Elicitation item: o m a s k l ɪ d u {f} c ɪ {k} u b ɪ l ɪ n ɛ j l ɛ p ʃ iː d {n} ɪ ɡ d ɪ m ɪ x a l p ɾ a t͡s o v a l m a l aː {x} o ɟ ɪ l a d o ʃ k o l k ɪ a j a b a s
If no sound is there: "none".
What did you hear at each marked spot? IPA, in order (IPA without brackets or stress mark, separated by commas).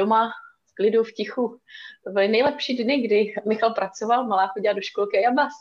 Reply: f, x, n, x